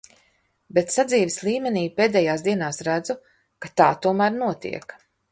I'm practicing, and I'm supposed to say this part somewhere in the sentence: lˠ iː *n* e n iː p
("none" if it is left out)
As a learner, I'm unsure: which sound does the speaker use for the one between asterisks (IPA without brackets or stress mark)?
m